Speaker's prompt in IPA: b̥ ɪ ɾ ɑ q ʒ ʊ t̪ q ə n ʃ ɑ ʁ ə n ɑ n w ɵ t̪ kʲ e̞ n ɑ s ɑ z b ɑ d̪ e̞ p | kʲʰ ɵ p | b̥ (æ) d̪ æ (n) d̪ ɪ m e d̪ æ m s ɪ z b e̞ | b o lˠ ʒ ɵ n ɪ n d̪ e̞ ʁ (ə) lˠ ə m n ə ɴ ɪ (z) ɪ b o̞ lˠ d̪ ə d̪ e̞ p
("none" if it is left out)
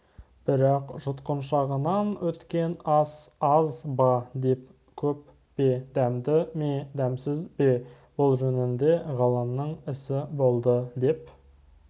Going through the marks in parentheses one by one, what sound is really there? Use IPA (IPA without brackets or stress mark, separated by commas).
e, m, ɑ, s